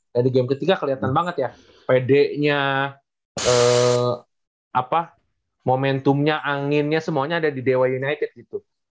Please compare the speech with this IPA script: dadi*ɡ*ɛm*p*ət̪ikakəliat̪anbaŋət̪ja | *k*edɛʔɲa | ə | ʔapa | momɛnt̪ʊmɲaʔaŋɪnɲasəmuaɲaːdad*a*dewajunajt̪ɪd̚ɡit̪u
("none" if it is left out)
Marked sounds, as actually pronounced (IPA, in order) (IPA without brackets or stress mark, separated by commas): ɡ, k, p, i